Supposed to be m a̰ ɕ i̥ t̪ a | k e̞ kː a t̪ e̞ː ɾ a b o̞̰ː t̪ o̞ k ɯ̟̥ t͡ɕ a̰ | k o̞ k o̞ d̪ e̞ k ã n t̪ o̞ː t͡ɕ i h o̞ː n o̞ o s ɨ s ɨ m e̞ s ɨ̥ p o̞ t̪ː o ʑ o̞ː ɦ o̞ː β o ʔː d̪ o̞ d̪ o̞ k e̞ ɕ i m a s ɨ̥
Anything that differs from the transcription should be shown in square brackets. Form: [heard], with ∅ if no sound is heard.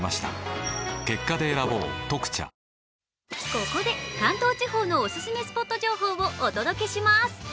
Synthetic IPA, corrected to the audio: m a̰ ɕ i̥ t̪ a | k e̞ kː a [d̪] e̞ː ɾ a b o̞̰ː t̪ o̞ k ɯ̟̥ t͡ɕ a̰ | k o̞ k o̞ d̪ e̞ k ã n t̪ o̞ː t͡ɕ i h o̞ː n o̞ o s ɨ s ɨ m e̞ s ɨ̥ p o̞ t̪ː o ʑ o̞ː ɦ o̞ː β o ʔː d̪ o̞ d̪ o̞ k e̞ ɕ i m a s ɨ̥